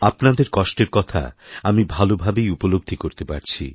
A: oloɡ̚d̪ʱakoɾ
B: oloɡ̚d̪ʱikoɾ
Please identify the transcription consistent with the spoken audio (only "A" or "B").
B